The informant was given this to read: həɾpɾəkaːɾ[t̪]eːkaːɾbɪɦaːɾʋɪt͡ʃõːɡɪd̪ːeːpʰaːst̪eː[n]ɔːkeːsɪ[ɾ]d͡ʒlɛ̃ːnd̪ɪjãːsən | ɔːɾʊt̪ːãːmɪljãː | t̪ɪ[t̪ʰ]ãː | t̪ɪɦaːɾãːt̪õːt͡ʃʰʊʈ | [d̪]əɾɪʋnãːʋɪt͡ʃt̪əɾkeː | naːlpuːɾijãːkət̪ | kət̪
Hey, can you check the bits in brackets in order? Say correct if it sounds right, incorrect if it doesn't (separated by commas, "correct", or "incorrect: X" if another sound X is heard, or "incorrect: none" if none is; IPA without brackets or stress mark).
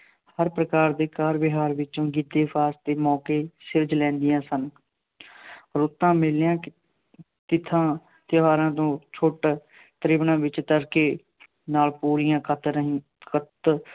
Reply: incorrect: d̪, incorrect: m, correct, correct, incorrect: t̪